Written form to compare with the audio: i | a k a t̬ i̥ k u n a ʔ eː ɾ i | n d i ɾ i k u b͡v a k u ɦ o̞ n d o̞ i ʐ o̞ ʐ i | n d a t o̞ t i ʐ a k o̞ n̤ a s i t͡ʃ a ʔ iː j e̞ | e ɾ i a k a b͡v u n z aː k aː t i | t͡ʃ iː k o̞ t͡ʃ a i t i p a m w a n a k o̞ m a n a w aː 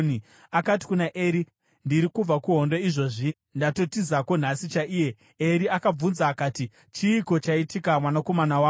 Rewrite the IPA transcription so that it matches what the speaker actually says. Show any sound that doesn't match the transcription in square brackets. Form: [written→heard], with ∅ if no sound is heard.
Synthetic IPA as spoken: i | a k a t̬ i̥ k u n a ʔ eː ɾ i | n d i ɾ i k u b͡v a k u ɦ o̞ n d o̞ i ʐ o̞ ʐ i | n d a t o̞ t i [ʐ→z] a k o̞ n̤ a s i t͡ʃ a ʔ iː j e̞ | e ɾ i a k a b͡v u n z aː k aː t i | t͡ʃ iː k o̞ t͡ʃ a i t i [p→k] a m w a n a k o̞ m a n a w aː